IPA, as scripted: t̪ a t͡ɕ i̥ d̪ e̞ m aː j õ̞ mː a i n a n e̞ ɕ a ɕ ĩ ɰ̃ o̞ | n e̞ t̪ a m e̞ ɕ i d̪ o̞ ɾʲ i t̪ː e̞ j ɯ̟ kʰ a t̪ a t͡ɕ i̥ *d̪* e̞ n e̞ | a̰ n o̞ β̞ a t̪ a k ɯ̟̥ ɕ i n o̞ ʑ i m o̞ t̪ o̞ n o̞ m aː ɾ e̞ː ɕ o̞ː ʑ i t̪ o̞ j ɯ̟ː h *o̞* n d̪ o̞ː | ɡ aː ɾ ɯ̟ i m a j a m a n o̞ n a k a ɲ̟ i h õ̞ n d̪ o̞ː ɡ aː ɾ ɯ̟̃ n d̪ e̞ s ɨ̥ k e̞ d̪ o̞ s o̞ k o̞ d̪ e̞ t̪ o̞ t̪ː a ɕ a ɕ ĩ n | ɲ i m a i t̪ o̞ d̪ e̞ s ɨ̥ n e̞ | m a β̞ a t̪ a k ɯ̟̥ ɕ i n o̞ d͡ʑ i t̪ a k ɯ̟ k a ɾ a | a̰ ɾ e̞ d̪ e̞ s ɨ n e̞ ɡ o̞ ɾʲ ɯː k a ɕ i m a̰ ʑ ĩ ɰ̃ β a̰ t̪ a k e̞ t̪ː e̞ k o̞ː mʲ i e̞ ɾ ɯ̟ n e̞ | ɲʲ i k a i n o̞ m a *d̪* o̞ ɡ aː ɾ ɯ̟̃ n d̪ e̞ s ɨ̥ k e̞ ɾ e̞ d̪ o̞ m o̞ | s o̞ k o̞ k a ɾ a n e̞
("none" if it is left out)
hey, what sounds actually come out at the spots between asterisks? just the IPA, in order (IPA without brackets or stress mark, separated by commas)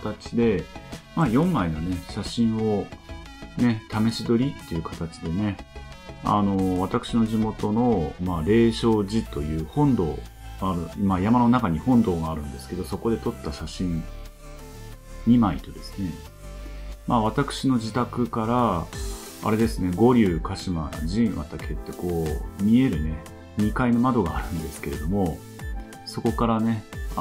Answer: d̪, õ̞, d̪